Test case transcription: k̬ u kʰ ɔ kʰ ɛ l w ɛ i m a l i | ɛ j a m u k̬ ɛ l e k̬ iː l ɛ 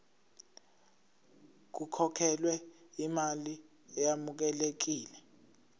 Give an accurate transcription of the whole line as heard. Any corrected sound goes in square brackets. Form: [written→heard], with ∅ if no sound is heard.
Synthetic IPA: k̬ u kʰ ɔ kʰ ɛ l w ɛ i m a l i | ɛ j a m u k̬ ɛ l e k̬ iː l ɛ